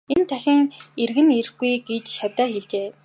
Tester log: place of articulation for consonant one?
alveolar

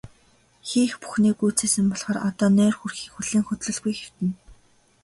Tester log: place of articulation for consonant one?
velar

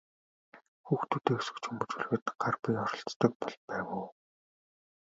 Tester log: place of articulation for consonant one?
velar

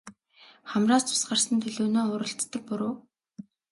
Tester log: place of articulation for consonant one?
uvular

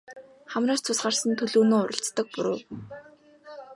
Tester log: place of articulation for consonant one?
uvular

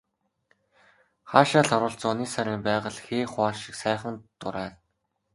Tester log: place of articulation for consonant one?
uvular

